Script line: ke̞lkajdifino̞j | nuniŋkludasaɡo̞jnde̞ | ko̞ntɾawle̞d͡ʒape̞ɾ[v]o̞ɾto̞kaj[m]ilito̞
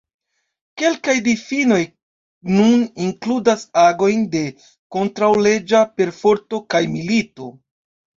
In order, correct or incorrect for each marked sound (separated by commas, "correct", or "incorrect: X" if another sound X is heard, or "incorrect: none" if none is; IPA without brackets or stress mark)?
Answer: incorrect: f, correct